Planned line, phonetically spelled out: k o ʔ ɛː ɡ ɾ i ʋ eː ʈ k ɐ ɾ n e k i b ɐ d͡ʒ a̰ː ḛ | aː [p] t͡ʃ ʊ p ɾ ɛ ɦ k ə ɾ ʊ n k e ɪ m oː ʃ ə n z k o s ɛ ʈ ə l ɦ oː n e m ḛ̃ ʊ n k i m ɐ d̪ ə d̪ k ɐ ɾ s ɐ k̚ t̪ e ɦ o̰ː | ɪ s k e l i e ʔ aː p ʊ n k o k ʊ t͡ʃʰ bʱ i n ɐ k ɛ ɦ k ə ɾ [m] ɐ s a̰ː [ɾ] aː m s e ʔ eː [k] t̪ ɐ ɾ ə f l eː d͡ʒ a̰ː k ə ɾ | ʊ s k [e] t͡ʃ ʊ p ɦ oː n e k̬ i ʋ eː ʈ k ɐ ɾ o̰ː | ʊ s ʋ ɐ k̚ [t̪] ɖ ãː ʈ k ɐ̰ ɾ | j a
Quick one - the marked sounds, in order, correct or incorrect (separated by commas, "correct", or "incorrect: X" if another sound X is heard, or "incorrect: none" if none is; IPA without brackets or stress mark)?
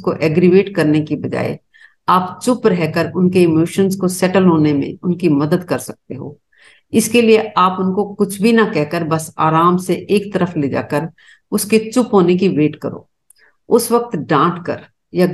correct, incorrect: b, correct, correct, correct, correct